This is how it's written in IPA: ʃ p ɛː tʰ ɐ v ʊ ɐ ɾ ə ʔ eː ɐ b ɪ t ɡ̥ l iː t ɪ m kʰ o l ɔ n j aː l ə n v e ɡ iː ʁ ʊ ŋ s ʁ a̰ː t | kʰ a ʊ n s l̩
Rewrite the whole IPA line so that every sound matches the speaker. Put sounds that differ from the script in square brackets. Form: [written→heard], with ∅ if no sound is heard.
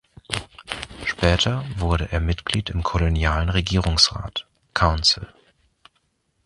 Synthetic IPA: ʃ p ɛː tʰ ɐ v ʊ ɐ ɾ ə ʔ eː ɐ [b→m] ɪ t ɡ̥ l iː t ɪ m kʰ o l [ɔ→o] n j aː l ə n [v→ʁ] e ɡ iː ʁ ʊ ŋ s ʁ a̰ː t | kʰ a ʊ n s l̩

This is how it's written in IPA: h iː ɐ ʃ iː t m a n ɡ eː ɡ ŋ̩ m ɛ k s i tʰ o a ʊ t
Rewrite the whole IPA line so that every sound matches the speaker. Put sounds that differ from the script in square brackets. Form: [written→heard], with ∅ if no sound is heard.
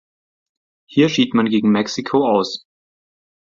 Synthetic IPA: h iː ɐ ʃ iː t m a n ɡ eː ɡ ŋ̩ m ɛ k s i [tʰ→kʰ] o a ʊ [t→s]

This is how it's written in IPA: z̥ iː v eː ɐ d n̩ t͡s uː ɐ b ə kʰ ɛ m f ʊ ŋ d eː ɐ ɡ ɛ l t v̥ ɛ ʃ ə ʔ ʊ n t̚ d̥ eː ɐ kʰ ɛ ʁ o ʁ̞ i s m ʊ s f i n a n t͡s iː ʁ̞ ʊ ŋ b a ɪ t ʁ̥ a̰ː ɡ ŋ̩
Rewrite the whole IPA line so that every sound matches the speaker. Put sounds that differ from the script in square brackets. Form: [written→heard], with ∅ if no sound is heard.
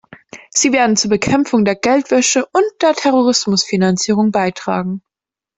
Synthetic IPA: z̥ iː v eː ɐ d n̩ t͡s uː ɐ b ə kʰ ɛ m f ʊ ŋ d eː ɐ ɡ ɛ l t v̥ ɛ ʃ ə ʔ ʊ n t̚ d̥ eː ɐ [kʰ→tʰ] ɛ ʁ o ʁ̞ [i→ɪ] s m ʊ s f i n a n t͡s iː ʁ̞ ʊ ŋ b a ɪ t ʁ̥ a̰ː ɡ ŋ̩

